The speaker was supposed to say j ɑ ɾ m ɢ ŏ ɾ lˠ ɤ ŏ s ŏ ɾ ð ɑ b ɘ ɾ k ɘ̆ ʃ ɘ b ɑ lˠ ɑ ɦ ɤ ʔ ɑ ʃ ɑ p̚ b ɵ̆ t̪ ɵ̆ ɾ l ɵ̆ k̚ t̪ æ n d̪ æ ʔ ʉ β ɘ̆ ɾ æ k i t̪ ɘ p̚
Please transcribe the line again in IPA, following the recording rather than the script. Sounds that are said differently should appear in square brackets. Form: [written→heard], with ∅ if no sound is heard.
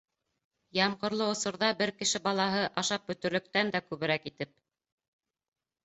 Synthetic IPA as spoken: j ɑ [ɾ→∅] m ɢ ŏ ɾ lˠ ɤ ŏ s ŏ ɾ ð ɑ b ɘ ɾ k ɘ̆ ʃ ɘ b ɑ lˠ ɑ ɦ ɤ ʔ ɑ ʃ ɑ p̚ b ɵ̆ t̪ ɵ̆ ɾ l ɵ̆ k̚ t̪ æ n d̪ æ [ʔ→k] ʉ β ɘ̆ ɾ æ k i t̪ ɘ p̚